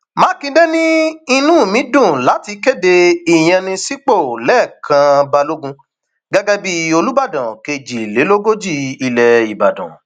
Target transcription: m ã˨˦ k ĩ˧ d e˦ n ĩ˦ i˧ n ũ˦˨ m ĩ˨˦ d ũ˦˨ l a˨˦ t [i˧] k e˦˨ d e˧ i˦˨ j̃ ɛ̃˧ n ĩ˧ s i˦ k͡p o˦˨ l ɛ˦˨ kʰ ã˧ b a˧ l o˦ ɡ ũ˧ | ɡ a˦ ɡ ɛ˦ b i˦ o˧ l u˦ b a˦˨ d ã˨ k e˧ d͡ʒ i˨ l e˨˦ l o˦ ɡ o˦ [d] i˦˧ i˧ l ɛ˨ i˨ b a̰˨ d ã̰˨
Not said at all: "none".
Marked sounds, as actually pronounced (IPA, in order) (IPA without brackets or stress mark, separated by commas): i˧, d͡ʒ